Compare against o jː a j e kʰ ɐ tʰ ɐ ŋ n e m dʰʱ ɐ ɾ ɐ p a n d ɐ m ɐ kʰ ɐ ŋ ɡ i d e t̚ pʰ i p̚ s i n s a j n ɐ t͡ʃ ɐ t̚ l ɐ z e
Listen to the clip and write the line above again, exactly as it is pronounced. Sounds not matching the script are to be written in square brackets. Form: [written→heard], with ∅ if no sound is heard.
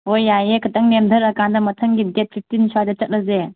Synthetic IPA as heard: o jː a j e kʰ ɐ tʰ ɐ ŋ n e m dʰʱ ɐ ɾ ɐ [p→k] a n d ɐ m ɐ [kʰ→tʰ] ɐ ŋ ɡ i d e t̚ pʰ i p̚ [s→t] i n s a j [n→d] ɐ t͡ʃ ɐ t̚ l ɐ z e